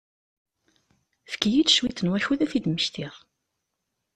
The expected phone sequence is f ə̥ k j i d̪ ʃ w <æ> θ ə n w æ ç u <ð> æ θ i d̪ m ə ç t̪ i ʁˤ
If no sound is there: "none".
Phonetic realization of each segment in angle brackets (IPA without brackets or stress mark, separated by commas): i, ð